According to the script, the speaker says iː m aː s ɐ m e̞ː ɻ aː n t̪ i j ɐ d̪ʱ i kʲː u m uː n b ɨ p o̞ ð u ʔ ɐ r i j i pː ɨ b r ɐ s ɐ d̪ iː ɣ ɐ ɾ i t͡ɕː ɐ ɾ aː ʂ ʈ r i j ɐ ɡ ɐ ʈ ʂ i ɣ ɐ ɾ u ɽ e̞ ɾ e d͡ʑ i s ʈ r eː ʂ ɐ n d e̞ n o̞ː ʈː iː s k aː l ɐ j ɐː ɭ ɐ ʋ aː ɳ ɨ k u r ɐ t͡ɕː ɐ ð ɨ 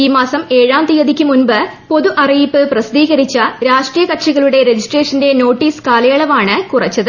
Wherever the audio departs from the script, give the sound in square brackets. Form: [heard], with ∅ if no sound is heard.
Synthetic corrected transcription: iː m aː s ɐ m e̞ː ɻ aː n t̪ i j ɐ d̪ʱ i kʲː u m [u] n b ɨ p o̞ ð u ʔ ɐ r i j i pː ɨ [p] r ɐ s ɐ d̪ iː ɣ ɐ ɾ i t͡ɕː ɐ ɾ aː ʂ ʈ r i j ɐ [k] ɐ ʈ ʂ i ɣ ɐ [ɭ] u ɽ e̞ ɾ e d͡ʑ i s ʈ r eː ʂ ɐ n d e̞ n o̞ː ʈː iː s k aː l ɐ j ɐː ɭ ɐ ʋ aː ɳ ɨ k u r ɐ t͡ɕː ɐ ð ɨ